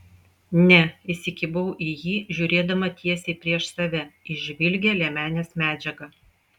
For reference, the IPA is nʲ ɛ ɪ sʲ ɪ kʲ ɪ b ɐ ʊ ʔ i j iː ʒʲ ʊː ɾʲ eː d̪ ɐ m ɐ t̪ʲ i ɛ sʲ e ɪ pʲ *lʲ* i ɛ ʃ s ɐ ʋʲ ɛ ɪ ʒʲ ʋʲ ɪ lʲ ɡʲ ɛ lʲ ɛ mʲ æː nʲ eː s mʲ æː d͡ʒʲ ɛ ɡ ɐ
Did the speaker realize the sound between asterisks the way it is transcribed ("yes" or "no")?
no